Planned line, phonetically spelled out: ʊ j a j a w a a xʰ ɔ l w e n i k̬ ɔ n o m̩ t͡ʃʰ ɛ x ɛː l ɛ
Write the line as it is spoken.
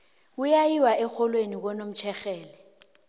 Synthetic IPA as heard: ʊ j a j i w a ɛ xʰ ɔ l w e n i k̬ ɔ n o m̩ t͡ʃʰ ɛ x ɛː l ɛ